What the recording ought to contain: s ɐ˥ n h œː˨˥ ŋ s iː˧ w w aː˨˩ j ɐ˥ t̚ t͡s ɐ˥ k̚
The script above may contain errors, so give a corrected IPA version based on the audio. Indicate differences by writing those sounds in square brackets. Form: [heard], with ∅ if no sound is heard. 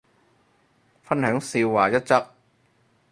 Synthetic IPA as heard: [f] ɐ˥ n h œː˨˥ ŋ s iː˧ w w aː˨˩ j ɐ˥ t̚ t͡s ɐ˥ k̚

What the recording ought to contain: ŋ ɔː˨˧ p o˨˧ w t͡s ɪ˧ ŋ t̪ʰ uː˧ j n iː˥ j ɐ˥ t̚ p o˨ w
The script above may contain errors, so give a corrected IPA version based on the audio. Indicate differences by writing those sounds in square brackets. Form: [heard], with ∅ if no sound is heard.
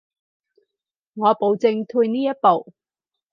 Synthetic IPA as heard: ŋ ɔː˨˧ p o˨˧ w t͡s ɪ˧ ŋ t̪ʰ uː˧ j n iː˥ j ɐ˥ t̚ p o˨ w

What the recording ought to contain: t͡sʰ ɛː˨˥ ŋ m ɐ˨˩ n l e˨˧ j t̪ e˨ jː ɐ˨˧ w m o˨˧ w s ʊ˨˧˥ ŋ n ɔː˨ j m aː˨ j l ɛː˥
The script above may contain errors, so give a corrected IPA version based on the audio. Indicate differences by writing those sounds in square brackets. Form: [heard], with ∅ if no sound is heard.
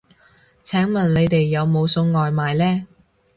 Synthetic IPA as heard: t͡sʰ ɛː˨˥ ŋ m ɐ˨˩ n l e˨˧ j t̪ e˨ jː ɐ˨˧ w m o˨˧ w s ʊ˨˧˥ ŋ [ŋ] ɔː˨ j m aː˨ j l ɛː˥

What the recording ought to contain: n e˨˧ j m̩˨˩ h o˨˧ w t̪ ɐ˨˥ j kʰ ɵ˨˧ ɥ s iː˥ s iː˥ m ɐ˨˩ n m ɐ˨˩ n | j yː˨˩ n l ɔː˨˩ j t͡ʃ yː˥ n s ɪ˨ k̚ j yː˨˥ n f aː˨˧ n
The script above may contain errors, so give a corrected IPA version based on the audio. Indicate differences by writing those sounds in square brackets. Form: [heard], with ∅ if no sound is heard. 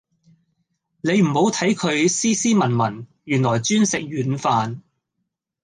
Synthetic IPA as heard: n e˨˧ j m̩˨˩ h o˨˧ w [t̪ʰ] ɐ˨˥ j kʰ ɵ˨˧ ɥ s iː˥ s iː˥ m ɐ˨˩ n m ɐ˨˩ n | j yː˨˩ n l ɔː˨˩ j t͡ʃ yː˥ n s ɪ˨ k̚ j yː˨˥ n f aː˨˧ n

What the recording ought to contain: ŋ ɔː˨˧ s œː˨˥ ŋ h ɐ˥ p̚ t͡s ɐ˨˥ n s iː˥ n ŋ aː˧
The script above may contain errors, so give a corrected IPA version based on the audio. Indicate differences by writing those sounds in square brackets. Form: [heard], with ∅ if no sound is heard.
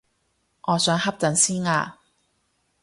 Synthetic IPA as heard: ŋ ɔː˨˧ s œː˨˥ ŋ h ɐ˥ p̚ t͡s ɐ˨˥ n s iː˥ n ŋ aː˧

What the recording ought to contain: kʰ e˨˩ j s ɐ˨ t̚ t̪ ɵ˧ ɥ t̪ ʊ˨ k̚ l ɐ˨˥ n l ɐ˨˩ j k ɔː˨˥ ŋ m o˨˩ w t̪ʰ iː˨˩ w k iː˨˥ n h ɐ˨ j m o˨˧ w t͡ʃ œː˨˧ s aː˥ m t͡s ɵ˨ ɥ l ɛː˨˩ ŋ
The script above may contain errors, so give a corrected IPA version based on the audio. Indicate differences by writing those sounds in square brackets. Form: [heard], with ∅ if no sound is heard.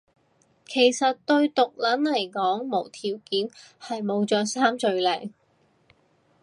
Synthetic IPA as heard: kʰ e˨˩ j s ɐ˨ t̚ t̪ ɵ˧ ɥ t̪ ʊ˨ k̚ l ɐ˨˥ n l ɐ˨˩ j k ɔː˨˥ ŋ m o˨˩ w t̪ʰ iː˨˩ w k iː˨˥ n h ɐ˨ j m o˨˧ w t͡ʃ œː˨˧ s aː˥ m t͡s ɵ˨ ɥ l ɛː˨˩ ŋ

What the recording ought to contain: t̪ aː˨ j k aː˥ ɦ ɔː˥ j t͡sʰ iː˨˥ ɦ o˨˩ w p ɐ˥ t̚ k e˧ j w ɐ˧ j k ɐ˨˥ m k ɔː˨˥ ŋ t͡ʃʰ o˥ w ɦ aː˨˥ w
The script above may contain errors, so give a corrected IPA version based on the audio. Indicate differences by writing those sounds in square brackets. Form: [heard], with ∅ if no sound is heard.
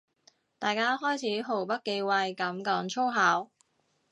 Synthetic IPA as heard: t̪ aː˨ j k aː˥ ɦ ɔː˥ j t͡sʰ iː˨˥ ɦ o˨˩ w p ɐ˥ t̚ k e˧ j w ɐ˧ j k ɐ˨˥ m k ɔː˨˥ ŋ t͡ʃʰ o˥ w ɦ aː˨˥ w

